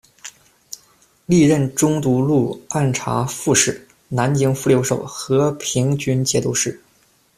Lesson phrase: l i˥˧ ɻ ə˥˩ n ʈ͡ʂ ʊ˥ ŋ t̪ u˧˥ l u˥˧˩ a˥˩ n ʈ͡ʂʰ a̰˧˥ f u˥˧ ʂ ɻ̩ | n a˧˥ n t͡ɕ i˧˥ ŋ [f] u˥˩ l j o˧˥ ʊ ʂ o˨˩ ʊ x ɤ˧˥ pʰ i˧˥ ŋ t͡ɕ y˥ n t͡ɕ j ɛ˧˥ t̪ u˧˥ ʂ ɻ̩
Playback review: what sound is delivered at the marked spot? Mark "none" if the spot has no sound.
f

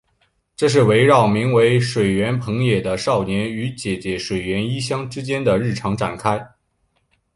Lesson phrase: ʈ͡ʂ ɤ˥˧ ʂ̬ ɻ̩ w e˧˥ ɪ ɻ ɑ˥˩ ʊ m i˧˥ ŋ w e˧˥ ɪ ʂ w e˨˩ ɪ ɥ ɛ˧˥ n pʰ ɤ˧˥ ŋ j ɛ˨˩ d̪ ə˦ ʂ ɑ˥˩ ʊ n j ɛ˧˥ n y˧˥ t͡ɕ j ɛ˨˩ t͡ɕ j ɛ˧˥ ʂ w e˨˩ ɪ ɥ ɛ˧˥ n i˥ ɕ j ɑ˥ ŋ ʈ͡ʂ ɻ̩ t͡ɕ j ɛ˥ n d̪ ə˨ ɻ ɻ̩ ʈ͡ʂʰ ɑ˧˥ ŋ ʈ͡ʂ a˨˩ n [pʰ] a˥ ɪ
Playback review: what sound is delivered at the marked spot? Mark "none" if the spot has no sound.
kʰ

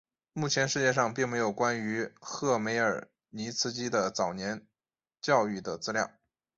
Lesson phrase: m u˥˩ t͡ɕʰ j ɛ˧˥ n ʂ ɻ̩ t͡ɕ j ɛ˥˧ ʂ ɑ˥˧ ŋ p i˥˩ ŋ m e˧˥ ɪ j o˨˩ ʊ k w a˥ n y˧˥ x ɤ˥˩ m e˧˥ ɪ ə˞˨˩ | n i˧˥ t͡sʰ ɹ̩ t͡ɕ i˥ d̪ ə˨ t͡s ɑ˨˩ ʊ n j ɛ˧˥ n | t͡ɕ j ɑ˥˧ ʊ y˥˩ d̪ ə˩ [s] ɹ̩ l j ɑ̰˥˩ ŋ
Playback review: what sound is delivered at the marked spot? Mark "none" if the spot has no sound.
t͡s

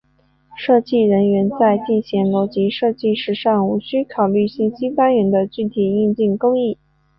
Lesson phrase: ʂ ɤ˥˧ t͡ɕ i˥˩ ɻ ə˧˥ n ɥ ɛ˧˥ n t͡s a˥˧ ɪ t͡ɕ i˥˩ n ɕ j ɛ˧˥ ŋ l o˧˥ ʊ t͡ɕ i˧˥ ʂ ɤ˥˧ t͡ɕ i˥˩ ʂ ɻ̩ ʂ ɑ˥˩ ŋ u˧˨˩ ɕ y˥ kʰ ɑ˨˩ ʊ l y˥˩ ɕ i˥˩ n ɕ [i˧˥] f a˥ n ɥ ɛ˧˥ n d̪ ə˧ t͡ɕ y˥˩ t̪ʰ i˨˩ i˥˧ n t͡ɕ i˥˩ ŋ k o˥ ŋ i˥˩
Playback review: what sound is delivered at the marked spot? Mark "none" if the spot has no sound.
i˥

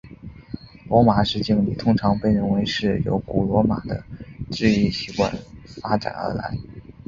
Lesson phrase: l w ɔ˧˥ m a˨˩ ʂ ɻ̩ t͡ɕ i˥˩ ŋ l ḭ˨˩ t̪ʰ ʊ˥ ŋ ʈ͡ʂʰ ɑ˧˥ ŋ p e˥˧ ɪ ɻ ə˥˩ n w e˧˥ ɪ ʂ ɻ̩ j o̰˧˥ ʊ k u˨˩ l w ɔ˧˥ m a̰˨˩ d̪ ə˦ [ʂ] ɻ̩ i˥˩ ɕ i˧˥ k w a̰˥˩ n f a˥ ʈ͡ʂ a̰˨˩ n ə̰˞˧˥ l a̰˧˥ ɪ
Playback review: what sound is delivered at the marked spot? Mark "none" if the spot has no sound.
ʈ͡ʂ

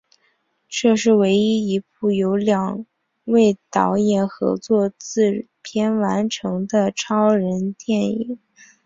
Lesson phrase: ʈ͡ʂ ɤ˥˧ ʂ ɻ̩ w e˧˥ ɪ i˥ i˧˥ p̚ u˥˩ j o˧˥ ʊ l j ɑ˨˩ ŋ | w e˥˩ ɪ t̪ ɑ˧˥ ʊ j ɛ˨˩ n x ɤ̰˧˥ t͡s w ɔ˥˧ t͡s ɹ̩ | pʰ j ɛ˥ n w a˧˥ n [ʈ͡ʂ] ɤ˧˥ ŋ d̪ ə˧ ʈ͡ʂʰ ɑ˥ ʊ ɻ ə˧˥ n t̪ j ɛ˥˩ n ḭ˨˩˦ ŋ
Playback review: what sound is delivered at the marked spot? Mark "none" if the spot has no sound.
ʈ͡ʂʰ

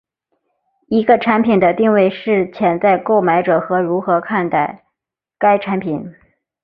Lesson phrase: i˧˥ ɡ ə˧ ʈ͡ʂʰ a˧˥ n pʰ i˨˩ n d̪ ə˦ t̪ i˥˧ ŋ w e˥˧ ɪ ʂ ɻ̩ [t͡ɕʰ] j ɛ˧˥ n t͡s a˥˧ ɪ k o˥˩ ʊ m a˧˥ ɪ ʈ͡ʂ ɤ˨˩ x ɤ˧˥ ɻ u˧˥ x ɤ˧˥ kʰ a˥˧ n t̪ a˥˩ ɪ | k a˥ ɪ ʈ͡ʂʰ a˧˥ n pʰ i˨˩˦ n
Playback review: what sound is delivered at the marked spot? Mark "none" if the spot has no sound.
t͡ɕʰ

